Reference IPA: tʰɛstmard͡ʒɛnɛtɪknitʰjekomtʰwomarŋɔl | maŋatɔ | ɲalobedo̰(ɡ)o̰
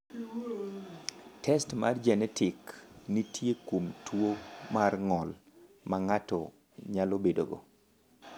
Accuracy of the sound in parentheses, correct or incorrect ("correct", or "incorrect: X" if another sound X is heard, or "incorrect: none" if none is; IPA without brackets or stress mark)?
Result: correct